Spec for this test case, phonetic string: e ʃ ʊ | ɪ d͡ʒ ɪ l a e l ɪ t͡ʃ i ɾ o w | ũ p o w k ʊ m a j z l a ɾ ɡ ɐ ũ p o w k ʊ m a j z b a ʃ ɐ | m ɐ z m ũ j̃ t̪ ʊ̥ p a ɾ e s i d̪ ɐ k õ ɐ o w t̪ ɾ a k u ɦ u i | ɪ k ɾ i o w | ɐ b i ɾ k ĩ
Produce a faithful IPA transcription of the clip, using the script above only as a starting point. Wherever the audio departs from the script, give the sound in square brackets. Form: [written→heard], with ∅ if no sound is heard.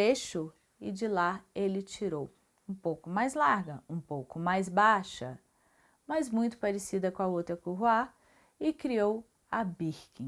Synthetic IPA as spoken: e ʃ ʊ | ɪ d͡ʒ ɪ l a e l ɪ t͡ʃ i ɾ o w | ũ p o w k ʊ m a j z l a ɾ ɡ ɐ ũ p o w k ʊ m a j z b a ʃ ɐ | m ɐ z m ũ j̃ t̪ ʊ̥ p a ɾ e s i d̪ ɐ k õ ɐ o w t̪ ɾ [a→ɐ] k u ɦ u [i→a] | ɪ k ɾ i o w | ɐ b i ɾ k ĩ